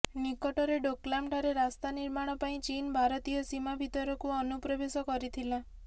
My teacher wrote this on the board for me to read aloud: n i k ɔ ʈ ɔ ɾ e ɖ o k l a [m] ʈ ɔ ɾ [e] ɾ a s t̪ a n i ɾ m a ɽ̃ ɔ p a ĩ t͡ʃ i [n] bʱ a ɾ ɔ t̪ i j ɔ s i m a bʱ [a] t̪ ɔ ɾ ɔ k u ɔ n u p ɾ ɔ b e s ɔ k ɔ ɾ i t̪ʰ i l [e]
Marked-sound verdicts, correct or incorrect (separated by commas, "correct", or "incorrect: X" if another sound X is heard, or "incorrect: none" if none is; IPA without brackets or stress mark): correct, correct, correct, incorrect: i, incorrect: a